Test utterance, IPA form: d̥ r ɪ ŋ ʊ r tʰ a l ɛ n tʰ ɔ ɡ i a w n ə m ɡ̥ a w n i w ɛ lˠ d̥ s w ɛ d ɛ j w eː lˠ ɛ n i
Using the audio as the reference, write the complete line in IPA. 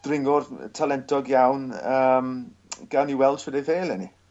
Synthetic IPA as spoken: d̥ r ɪ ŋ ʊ r tʰ a l ɛ n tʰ ɔ ɡ j a w n ə m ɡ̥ a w n i w ɛ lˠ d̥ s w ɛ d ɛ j v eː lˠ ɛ n i

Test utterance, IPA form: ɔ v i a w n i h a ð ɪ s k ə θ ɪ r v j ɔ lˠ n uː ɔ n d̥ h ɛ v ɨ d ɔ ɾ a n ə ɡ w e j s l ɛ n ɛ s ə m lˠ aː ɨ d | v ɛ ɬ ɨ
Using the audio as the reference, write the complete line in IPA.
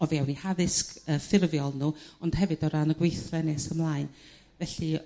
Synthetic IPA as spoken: ɔ v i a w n i h a ð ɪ s k ə f ɪ r v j ɔ lˠ n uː ɔ n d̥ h ɛ v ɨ d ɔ ɾ a n ə ɡ w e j θ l ɛ n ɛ s ə m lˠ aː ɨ n | v ɛ ɬ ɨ

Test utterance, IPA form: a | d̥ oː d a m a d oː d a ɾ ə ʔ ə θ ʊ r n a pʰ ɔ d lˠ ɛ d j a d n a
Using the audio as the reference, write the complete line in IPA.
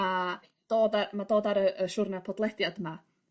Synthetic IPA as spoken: a | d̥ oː d a m a d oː d a ɾ ə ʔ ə ʃ ʊ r n a pʰ ɔ d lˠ ɛ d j a d m a

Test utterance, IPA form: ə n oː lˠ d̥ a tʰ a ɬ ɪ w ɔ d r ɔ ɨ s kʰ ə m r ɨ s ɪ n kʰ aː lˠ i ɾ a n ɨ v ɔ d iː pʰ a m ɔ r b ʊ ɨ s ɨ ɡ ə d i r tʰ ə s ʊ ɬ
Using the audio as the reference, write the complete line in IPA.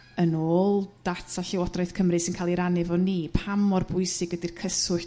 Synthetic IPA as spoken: ə n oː lˠ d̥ a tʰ a ɬ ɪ w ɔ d r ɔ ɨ θ kʰ ə m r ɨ s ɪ n kʰ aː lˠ i ɾ a n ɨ v ɔ n iː pʰ a m ɔ r b ʊ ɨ s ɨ ɡ ə d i r kʰ ə s ʊ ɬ

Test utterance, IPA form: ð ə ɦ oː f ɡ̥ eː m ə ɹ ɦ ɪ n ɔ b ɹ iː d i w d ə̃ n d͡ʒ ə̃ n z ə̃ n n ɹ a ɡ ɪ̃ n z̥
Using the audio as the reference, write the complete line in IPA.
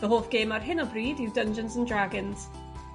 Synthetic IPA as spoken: ð ə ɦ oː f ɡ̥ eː m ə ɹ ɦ ɪ n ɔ b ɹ iː d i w d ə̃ n d͡ʒ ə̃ n z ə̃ n d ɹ a ɡ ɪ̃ n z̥

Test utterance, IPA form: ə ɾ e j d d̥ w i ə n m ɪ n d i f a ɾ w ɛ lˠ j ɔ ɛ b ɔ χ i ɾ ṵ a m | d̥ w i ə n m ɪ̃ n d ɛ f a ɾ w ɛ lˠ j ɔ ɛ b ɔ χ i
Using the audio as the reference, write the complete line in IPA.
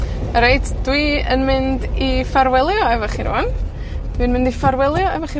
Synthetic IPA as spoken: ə ɾ e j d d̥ w i ə n m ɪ n d i f a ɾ w ɛ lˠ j ɔ ɛ v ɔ χ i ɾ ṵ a n | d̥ w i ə n m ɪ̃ n d i f a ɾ w ɛ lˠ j ɔ ɛ v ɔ χ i

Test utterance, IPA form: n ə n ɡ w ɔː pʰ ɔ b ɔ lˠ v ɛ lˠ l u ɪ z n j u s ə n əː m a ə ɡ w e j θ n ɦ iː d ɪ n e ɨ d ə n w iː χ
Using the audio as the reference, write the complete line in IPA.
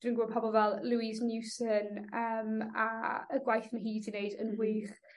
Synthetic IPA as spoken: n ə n ɡ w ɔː pʰ ɔ b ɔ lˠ v ɛ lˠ l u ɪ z n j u s ə n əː m a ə ɡ w a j θ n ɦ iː d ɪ n e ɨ d ə n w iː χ

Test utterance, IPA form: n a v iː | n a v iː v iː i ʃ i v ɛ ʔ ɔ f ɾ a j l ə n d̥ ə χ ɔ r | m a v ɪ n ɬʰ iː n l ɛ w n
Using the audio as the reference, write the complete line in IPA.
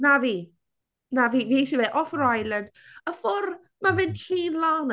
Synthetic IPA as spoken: n a v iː | n a v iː v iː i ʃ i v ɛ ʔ ɔ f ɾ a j l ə n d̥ ə f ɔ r | m a v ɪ n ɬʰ iː n l a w n

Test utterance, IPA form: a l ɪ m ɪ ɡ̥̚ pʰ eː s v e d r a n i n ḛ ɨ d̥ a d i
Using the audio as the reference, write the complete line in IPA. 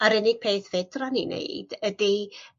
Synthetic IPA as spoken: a ɾ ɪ n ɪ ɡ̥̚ pʰ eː θ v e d r a n i n ḛ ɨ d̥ ə d i

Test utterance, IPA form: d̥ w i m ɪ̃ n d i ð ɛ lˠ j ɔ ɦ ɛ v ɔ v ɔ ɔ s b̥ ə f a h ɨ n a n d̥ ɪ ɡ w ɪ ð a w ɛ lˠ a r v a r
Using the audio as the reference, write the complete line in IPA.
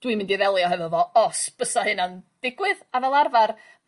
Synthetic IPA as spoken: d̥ w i m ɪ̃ n d i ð ɛ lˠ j ɔ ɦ ɛ v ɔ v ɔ ɔ s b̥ ə s a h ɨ n a n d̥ ɪ ɡ w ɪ ð a v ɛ lˠ a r v a r

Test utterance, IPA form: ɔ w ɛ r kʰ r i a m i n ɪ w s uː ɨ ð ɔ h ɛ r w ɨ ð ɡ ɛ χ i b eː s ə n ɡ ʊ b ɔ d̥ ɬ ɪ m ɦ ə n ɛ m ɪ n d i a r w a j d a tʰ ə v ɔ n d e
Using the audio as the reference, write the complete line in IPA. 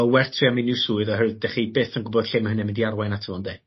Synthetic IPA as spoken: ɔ w ɛ r tʰ r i a m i n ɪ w s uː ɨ ð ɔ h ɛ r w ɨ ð d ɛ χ i b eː θ ə n ɡ ʊ b ɔ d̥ ɬ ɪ m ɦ ə n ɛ m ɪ n d i a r w a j n a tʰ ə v ɔ n d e

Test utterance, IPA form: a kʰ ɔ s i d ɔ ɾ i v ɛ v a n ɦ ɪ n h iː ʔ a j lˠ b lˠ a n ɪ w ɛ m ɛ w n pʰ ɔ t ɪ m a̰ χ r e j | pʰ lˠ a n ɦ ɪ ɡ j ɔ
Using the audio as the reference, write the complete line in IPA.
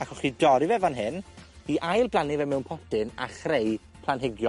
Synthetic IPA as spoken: a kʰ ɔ χ i d ɔ ɾ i v ɛ v a n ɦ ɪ n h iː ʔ a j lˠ b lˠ a n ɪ v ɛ m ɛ w n pʰ ɔ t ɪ n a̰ χ r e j | pʰ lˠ a n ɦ ɪ ɡ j ɔ

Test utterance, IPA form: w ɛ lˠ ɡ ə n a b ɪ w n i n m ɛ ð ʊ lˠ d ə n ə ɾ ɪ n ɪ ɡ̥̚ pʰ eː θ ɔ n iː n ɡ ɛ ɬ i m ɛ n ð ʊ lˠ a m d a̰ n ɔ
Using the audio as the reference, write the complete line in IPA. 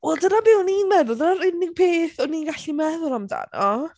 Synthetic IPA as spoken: w ɛ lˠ d ə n a b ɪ w n i n m ɛ ð ʊ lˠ d ə n a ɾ ɪ n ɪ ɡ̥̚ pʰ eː θ ɔ n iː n ɡ a ɬ i m ɛ ð ʊ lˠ a m d a̰ n ɔ

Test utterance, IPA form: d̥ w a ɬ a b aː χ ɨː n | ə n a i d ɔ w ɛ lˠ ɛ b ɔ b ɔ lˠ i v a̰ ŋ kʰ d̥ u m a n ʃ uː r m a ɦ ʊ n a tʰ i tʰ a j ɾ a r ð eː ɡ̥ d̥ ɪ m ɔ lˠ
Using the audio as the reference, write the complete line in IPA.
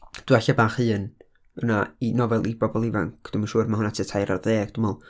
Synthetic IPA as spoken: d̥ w a ɬ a b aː χ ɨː n | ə n a i n ɔ v ɛ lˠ i b ɔ b ɔ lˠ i v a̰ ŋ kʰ d̥ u m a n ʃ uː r m a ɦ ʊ n a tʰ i tʰ a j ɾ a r ð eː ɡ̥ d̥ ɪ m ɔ lˠ

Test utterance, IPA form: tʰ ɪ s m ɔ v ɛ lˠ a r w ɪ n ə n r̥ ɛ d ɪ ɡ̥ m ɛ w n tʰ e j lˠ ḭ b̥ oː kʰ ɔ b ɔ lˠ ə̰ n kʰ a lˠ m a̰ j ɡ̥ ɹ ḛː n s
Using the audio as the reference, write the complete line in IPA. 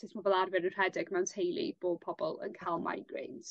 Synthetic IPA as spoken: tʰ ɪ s m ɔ v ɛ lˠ a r v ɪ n ə n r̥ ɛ d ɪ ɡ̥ m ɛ w n tʰ e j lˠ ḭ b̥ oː pʰ ɔ b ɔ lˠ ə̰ n kʰ a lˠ m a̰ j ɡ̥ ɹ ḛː n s

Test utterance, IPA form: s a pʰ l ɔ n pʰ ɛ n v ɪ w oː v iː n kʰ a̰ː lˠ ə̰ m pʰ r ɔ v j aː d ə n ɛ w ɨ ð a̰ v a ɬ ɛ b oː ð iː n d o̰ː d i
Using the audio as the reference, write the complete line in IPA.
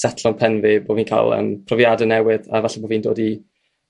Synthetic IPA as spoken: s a tʰ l ɔ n pʰ ɛ n v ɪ b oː v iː n kʰ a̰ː lˠ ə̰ m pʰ r ɔ v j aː d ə n ɛ w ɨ ð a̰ v a ɬ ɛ b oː v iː n d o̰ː d i

